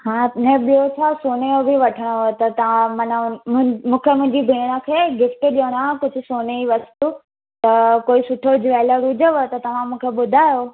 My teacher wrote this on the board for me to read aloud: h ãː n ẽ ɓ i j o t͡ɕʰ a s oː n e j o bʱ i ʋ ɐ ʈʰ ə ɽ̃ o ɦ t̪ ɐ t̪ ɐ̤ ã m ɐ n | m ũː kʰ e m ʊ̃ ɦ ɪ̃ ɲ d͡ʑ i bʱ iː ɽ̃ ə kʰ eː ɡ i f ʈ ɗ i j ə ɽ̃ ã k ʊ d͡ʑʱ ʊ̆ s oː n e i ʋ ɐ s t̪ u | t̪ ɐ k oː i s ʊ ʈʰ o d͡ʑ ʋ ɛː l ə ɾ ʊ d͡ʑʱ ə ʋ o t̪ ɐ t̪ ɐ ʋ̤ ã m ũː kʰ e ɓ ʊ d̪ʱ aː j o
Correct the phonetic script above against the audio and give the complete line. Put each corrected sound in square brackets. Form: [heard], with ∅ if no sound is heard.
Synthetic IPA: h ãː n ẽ ɓ i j o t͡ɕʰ a s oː n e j o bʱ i ʋ ɐ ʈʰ ə ɽ̃ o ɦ t̪ ɐ t̪ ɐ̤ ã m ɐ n | m ũː kʰ e m ʊ̃ ɦ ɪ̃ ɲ d͡ʑ i bʱ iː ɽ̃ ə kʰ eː ɡ [ɪ] f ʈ ɗ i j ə ɽ̃ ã k ʊ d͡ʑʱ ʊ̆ s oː n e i ʋ ɐ s t̪ u | t̪ ɐ k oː i s ʊ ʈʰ o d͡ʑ ʋ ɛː l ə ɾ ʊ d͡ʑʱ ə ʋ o t̪ ɐ t̪ ɐ ʋ̤ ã m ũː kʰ e ɓ ʊ d̪ʱ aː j o